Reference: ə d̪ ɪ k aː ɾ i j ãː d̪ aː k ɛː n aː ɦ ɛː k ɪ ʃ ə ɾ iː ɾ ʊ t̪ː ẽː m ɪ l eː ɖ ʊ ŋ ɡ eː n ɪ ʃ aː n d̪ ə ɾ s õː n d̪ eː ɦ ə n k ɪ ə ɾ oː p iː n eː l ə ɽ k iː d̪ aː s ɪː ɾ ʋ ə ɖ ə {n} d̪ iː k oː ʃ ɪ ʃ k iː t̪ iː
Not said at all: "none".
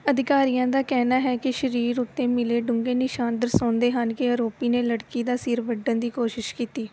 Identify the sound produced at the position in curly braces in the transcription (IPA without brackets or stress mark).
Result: n